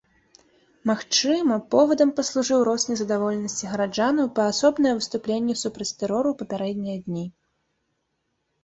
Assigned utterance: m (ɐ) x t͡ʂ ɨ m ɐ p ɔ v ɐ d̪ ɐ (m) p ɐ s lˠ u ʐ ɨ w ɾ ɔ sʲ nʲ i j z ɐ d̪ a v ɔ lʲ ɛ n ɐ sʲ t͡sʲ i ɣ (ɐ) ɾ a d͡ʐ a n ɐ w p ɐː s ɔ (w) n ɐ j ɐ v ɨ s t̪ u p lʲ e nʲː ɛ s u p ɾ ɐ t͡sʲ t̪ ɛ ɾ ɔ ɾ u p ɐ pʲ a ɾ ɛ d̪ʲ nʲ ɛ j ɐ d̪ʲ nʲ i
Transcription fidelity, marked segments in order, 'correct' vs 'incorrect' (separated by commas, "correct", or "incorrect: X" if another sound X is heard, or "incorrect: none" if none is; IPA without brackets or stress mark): incorrect: a, correct, correct, incorrect: b